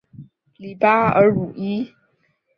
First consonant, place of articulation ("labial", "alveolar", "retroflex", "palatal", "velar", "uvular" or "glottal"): alveolar